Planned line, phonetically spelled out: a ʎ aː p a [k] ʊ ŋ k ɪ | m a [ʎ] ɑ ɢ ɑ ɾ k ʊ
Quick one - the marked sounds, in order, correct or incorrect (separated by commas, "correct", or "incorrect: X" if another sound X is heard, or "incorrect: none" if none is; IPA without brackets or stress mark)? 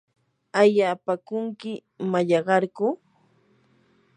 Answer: correct, correct